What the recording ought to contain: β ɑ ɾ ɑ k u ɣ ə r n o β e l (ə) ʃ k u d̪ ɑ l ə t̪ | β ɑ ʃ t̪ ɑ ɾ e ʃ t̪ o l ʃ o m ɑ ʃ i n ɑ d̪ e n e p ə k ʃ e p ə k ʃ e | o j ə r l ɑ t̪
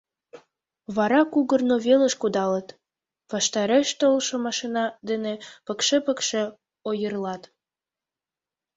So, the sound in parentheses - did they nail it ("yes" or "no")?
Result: yes